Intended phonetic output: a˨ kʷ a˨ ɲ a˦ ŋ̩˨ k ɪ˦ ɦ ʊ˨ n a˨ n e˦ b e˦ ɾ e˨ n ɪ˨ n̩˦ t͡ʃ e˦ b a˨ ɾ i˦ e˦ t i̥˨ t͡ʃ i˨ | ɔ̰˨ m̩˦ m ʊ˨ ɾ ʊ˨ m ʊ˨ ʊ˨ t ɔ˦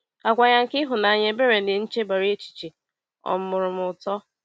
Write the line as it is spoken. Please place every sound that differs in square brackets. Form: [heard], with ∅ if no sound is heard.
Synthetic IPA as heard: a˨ kʷ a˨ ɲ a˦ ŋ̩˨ k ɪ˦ ɦ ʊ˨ n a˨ [ɲ] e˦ b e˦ ɾ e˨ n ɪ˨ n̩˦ t͡ʃ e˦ b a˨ ɾ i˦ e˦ [t͡ʃ] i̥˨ t͡ʃ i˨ | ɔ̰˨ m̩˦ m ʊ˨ ɾ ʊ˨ m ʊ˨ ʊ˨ t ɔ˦